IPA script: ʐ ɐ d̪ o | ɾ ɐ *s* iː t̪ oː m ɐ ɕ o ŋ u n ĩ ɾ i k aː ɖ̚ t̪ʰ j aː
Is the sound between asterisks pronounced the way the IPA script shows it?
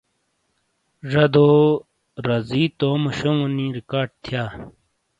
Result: no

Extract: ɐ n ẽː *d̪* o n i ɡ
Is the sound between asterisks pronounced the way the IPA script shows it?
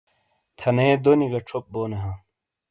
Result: yes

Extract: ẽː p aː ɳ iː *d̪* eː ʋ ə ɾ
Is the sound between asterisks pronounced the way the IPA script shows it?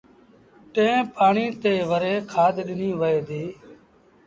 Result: no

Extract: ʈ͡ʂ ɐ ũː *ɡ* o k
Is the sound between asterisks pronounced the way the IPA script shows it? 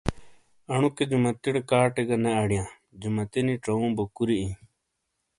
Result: no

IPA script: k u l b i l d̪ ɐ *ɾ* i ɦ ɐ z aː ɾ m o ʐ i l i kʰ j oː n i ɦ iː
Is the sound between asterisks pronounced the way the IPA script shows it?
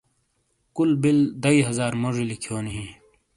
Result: no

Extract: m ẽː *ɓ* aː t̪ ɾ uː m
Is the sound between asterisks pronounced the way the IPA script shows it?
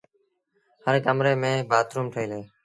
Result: no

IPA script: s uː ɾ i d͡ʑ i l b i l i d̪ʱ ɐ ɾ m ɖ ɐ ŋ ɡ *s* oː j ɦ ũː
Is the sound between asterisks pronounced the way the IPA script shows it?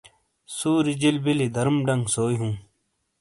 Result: yes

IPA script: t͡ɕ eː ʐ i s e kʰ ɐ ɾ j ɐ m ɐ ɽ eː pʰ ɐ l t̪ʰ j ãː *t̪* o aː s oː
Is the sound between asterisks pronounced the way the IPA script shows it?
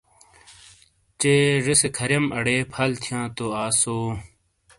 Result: yes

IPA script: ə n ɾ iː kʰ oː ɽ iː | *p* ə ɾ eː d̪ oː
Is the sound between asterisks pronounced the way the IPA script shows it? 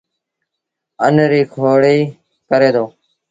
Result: no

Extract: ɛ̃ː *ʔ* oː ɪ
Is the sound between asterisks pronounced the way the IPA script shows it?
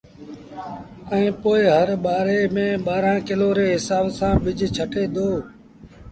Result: no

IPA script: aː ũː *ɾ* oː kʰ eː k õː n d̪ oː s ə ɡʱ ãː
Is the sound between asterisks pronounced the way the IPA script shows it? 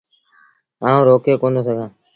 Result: yes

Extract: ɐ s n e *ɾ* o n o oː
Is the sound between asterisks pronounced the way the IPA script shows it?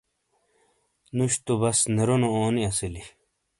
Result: yes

